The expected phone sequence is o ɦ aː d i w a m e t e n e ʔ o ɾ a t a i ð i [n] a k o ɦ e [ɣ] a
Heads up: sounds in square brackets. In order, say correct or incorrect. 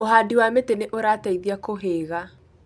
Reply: incorrect, correct

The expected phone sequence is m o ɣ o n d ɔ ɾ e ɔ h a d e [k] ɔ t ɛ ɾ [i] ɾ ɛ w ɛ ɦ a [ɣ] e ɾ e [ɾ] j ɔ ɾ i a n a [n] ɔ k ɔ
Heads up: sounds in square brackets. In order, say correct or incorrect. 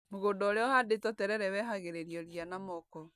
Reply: incorrect, incorrect, correct, correct, incorrect

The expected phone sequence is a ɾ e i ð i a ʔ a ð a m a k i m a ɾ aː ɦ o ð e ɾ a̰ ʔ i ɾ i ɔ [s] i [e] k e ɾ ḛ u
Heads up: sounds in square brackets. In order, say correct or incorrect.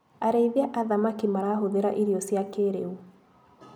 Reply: correct, incorrect

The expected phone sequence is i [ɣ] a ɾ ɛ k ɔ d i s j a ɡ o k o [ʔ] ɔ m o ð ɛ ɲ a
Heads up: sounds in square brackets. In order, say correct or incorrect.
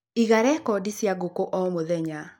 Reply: correct, correct

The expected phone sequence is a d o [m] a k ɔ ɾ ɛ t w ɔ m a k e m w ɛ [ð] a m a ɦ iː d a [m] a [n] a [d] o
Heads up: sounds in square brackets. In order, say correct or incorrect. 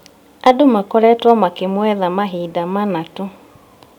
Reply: correct, correct, correct, correct, incorrect

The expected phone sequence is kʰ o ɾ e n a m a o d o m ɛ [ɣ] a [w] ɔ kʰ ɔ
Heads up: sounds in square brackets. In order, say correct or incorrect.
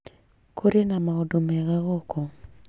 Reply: correct, incorrect

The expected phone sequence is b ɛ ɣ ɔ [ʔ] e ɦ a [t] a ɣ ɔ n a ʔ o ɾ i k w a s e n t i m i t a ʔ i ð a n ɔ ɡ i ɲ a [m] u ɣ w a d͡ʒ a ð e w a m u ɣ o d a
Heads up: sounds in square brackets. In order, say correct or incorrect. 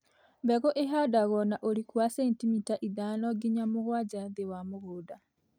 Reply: correct, incorrect, correct

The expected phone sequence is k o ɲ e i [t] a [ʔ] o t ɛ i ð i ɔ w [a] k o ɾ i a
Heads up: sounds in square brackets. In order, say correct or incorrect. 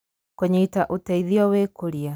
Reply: correct, correct, incorrect

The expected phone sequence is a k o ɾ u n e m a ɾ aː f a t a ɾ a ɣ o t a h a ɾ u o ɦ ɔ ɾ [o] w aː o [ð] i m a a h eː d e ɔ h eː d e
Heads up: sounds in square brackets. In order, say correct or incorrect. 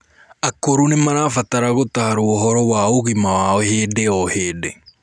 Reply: incorrect, incorrect

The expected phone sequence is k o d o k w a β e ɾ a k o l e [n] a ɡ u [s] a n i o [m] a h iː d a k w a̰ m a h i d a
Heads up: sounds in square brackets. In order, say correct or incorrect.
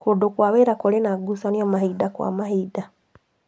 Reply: correct, correct, correct

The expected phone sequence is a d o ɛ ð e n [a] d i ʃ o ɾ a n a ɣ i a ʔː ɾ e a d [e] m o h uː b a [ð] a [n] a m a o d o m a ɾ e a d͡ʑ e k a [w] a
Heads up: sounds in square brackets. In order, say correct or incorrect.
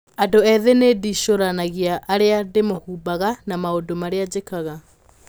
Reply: incorrect, correct, incorrect, correct, incorrect

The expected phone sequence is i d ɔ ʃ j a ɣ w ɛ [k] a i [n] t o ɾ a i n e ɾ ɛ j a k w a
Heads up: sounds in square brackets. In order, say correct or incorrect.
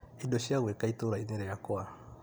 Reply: correct, incorrect

